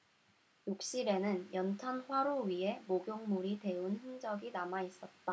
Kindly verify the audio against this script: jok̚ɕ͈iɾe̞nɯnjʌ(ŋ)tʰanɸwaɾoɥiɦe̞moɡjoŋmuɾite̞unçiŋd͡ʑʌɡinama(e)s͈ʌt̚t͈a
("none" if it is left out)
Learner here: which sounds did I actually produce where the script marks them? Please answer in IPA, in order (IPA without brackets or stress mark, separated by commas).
n, i